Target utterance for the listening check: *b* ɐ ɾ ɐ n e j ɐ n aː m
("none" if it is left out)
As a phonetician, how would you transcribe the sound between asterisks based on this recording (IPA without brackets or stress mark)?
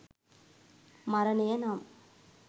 m